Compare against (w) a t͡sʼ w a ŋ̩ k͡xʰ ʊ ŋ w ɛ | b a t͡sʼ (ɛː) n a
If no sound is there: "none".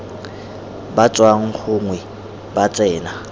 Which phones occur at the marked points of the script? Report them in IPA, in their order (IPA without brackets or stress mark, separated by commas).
b, ɛː